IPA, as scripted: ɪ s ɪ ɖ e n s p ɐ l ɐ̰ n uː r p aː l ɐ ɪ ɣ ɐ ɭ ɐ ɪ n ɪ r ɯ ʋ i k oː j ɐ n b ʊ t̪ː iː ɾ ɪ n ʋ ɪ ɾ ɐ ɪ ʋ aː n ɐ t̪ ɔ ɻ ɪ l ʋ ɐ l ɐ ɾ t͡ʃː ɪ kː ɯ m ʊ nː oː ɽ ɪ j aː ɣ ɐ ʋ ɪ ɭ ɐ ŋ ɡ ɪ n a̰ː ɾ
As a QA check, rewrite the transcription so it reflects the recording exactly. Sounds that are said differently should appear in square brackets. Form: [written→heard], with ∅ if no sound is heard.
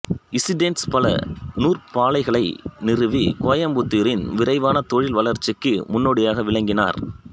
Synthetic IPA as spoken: ɪ s ɪ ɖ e n s p ɐ l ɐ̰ n uː r p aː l ɐ ɪ ɣ ɐ ɭ ɐ ɪ n ɪ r ɯ ʋ i k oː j ɐ [n→m] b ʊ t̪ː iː ɾ ɪ n ʋ ɪ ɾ ɐ ɪ ʋ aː n ɐ t̪ ɔ ɻ ɪ l ʋ ɐ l ɐ ɾ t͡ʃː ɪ kː ɯ m ʊ nː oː ɽ ɪ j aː ɣ ɐ ʋ ɪ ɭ ɐ ŋ ɡ ɪ n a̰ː ɾ

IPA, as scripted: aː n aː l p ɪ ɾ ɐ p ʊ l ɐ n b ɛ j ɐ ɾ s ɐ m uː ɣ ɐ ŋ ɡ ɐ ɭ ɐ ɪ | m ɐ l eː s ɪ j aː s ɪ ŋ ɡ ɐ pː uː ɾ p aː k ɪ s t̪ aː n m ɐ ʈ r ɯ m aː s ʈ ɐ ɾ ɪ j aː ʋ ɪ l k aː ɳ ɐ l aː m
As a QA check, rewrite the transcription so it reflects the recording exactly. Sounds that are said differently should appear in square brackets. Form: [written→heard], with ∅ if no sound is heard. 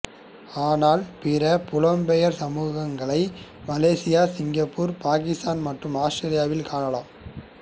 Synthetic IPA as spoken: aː n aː l p ɪ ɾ ɐ p ʊ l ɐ [n→m] b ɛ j ɐ ɾ s ɐ m uː ɣ ɐ ŋ ɡ ɐ ɭ ɐ ɪ | m ɐ l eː s ɪ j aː s ɪ ŋ ɡ ɐ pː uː ɾ p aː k ɪ s t̪ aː n m ɐ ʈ r ɯ m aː s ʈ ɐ ɾ ɪ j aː ʋ ɪ l k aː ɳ ɐ l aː m

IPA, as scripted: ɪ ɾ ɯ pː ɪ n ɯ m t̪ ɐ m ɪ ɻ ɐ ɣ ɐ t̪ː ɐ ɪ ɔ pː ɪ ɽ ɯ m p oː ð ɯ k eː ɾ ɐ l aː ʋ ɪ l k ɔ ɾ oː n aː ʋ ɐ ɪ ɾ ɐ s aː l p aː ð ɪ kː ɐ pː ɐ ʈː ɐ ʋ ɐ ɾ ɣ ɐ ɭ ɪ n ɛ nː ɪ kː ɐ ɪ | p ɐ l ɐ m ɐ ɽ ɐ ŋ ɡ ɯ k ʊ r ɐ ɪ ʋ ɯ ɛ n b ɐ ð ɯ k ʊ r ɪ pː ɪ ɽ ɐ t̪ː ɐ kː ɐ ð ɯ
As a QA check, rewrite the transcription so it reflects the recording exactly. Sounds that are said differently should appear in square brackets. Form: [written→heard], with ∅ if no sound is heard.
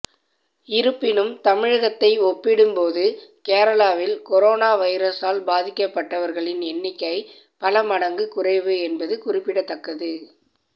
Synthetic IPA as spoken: ɪ ɾ ɯ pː ɪ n ɯ m t̪ ɐ m ɪ ɻ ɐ ɣ ɐ t̪ː ɐ ɪ ɔ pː ɪ ɽ ɯ m p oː ð ɯ k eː ɾ ɐ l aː ʋ ɪ l k ɔ ɾ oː n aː ʋ ɐ ɪ ɾ ɐ s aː l [p→b] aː ð ɪ kː ɐ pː ɐ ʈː ɐ ʋ ɐ ɾ ɣ ɐ ɭ ɪ n ɛ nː ɪ kː ɐ ɪ | p ɐ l ɐ m ɐ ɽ ɐ ŋ ɡ ɯ k ʊ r ɐ ɪ ʋ ɯ ɛ n b ɐ ð ɯ k ʊ r ɪ pː ɪ ɽ ɐ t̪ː ɐ kː ɐ ð ɯ

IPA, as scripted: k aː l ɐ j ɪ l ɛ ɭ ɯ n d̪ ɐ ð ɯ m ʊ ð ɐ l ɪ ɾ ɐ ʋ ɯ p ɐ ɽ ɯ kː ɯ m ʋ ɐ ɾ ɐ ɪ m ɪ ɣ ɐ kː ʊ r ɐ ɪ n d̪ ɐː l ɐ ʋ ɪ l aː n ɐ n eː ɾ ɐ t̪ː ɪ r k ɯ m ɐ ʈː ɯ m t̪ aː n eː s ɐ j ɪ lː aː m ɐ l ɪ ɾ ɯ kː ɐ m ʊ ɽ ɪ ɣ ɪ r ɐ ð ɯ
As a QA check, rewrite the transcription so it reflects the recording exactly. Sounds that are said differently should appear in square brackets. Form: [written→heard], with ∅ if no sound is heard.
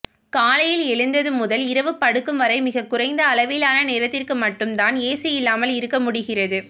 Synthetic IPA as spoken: k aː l ɐ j ɪ l ɛ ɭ ɯ n d̪ ɐ ð ɯ m ʊ ð ɐ l ɪ ɾ ɐ ʋ ɯ p ɐ ɽ ɯ kː ɯ m ʋ ɐ ɾ ɐ ɪ m ɪ ɣ ɐ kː ʊ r ɐ ɪ n d̪ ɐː l ɐ ʋ ɪ l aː n ɐ n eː ɾ ɐ t̪ː ɪ r k ɯ m ɐ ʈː ɯ m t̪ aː n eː s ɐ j ɪ lː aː m ɐ l ɪ ɾ ɯ kː ɐ m ʊ ɽ ɪ ɣ ɪ r ɐ ð ɯ

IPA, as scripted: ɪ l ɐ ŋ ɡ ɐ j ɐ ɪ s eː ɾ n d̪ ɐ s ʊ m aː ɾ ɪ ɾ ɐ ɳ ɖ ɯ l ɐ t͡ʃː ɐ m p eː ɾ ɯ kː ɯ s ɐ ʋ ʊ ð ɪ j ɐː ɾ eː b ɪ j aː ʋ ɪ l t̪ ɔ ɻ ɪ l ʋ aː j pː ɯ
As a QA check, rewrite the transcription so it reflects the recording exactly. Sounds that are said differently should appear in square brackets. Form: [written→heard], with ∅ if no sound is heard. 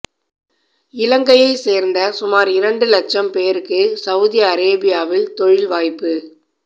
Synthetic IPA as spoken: ɪ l ɐ ŋ ɡ ɐ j ɐ ɪ s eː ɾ n d̪ ɐ s ʊ m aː ɾ ɪ ɾ ɐ ɳ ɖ ɯ l ɐ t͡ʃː ɐ m p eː ɾ ɯ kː ɯ s ɐ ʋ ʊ ð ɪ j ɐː ɾ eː b ɪ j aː ʋ ɪ l t̪ ɔ ɻ ɪ l ʋ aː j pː ɯ

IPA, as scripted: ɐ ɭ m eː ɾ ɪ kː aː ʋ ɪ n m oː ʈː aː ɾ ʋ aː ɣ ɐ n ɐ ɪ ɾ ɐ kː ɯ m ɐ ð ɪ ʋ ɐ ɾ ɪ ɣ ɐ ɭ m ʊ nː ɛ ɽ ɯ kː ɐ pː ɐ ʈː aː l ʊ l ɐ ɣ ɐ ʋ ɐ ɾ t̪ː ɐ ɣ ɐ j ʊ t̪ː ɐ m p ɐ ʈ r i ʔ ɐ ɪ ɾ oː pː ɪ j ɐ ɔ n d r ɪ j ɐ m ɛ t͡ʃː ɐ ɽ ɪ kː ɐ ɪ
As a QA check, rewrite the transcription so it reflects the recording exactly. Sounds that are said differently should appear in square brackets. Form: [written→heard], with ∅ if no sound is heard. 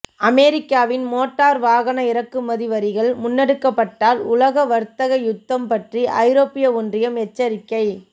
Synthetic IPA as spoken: ɐ [ɭ→∅] m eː ɾ ɪ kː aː ʋ ɪ n m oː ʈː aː ɾ ʋ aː ɣ ɐ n ɐ ɪ ɾ ɐ kː ɯ m ɐ ð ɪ ʋ ɐ ɾ ɪ ɣ ɐ ɭ m ʊ nː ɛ ɽ ɯ kː ɐ pː ɐ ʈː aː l ʊ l ɐ ɣ ɐ ʋ ɐ ɾ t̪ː ɐ ɣ ɐ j ʊ t̪ː ɐ m p ɐ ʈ r i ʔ ɐ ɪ ɾ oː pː ɪ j ɐ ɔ n d r ɪ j ɐ m ɛ t͡ʃː ɐ [ɽ→ɾ] ɪ kː ɐ ɪ

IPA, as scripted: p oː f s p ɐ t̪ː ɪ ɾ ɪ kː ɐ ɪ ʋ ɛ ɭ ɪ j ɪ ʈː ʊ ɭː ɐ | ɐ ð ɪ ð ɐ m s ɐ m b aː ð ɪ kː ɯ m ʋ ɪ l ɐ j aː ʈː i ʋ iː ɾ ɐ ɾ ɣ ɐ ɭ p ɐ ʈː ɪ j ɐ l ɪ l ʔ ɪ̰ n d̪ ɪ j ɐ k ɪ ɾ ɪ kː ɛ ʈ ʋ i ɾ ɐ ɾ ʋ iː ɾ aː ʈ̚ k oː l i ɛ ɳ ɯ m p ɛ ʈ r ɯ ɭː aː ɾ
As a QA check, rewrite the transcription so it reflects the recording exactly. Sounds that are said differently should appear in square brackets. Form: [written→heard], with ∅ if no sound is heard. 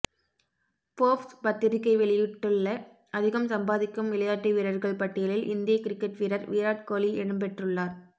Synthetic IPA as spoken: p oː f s p ɐ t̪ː ɪ ɾ ɪ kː ɐ ɪ ʋ ɛ ɭ ɪ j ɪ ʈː [ʊ→ɯ] ɭː ɐ | ɐ ð ɪ [ð→ɣ] ɐ m s ɐ m b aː ð ɪ kː ɯ m ʋ ɪ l ɐ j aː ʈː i ʋ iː ɾ ɐ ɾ ɣ ɐ ɭ p ɐ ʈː ɪ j ɐ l ɪ l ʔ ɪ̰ n d̪ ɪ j ɐ k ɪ ɾ ɪ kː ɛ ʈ ʋ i ɾ ɐ ɾ ʋ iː ɾ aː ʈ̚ k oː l i ɛ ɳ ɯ m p ɛ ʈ r ɯ ɭː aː ɾ

